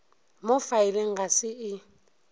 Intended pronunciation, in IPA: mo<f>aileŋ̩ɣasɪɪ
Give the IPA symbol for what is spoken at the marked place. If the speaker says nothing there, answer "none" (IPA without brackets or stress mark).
f